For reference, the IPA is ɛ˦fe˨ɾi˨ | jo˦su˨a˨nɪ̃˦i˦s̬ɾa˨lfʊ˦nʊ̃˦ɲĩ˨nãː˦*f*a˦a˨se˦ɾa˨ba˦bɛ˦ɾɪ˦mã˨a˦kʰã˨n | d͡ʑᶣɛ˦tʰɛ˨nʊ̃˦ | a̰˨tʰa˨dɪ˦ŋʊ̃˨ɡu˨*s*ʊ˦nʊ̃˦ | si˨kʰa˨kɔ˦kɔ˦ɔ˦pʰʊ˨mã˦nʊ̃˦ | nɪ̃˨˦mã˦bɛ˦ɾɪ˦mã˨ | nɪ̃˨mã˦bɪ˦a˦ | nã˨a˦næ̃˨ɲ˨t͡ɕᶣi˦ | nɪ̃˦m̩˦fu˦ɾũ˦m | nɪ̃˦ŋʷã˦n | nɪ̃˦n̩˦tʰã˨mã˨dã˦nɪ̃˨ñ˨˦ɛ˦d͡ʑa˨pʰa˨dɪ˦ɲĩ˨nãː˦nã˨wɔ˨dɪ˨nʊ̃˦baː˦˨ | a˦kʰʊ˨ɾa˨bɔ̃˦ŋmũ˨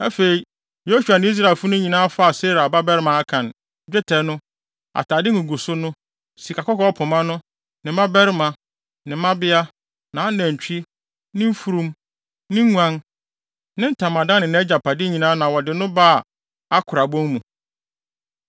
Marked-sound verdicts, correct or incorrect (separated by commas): correct, correct